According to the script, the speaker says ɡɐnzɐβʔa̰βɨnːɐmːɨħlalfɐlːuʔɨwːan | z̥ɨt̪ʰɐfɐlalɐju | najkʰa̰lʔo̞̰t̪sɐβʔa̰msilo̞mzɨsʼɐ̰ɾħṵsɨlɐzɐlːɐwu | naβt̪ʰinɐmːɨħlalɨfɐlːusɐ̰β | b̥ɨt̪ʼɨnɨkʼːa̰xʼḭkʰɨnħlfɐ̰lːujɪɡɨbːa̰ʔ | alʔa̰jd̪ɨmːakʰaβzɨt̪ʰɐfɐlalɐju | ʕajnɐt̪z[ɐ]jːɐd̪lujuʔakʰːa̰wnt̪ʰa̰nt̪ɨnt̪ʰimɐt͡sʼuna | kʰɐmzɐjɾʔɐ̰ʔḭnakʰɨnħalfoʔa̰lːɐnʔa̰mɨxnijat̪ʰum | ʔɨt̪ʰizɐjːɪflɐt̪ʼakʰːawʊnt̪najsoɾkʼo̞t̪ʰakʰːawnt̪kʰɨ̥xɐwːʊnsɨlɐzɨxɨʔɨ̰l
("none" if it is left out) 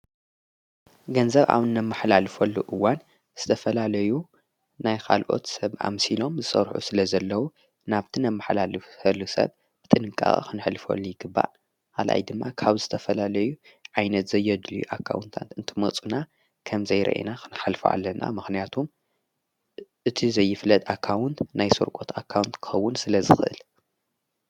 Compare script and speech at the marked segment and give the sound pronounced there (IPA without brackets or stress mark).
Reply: ɐ